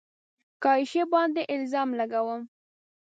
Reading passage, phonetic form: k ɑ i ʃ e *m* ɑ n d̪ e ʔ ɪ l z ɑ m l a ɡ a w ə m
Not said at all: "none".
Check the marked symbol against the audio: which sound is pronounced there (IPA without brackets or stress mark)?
b